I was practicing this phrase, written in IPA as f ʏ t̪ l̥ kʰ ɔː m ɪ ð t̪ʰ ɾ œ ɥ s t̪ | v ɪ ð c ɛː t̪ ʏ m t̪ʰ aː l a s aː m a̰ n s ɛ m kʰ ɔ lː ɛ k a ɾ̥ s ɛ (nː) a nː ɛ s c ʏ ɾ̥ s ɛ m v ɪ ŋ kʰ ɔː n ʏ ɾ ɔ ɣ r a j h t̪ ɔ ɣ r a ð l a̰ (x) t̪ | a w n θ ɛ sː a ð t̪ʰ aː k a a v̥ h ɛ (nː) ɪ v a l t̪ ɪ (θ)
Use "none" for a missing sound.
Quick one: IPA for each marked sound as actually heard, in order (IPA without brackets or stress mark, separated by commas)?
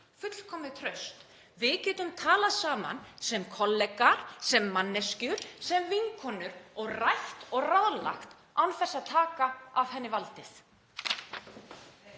mː, x, nː, θ